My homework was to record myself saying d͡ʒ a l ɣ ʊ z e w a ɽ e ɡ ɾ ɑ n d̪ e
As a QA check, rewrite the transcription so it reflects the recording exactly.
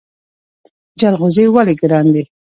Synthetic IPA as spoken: d͡ʒ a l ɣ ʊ z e w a l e ɡ ɾ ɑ n d̪ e

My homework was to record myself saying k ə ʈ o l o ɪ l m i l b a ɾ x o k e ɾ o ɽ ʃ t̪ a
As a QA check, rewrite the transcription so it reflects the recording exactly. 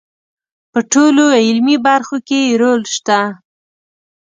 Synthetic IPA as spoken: p ə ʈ o l o ɪ l m i b a ɾ x o k e ɾ o l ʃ t̪ a

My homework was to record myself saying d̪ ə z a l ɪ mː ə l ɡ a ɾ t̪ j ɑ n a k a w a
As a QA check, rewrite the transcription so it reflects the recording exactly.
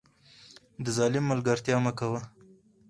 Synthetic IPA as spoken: d̪ ə z ɑ l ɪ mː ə l ɡ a ɾ t̪ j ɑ m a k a w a

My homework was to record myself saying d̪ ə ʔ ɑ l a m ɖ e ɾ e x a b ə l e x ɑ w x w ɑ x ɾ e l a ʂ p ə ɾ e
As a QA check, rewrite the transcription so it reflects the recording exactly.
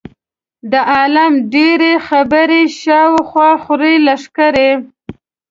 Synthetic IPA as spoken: d̪ ə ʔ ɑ l a m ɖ e ɾ e x a b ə ɾ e ʃ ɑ w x w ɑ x ɾ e l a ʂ k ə ɾ e

